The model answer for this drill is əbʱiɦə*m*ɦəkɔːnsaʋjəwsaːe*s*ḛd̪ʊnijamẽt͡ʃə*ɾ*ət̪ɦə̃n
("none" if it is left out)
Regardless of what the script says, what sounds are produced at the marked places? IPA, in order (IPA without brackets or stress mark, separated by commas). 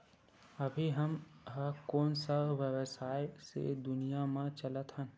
m, s, l